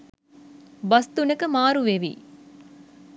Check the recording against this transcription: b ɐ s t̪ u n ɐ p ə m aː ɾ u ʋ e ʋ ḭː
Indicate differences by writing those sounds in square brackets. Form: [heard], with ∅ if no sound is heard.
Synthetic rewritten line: b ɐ s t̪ u n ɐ [k] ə m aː ɾ u ʋ e ʋ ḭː